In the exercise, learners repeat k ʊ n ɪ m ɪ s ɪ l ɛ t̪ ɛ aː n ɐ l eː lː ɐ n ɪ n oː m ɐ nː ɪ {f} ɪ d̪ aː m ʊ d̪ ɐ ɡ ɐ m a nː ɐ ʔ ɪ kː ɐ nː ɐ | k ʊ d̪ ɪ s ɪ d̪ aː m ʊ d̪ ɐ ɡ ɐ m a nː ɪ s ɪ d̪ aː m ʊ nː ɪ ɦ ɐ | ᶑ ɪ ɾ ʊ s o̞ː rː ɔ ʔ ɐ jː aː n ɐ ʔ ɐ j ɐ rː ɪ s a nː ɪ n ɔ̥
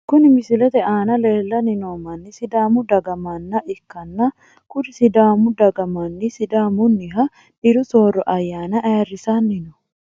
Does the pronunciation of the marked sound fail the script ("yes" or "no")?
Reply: yes